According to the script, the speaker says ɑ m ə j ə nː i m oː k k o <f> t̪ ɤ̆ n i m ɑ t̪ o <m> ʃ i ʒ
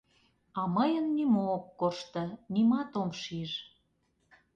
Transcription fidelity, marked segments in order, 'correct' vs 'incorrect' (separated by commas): incorrect, correct